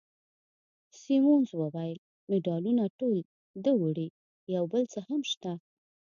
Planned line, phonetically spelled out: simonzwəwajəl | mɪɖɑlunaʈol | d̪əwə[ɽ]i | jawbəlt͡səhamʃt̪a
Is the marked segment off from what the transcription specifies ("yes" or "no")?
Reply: no